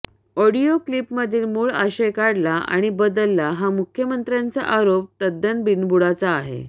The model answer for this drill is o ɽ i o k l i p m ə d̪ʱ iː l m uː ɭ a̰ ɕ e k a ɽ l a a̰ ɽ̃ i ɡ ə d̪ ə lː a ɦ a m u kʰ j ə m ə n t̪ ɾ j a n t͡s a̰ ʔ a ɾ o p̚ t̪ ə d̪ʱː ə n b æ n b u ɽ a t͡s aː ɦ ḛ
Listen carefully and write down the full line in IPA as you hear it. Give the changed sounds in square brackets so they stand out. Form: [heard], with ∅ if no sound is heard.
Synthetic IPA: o ɽ i o k l i p m ə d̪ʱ iː l m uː ɭ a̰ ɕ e k a ɽ l a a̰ ɽ̃ i [b] ə d̪ ə lː a ɦ a m u kʰ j ə m ə n t̪ ɾ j a n t͡s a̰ ʔ a ɾ o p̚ t̪ ə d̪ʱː ə n b [i] n b u ɽ a t͡s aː ɦ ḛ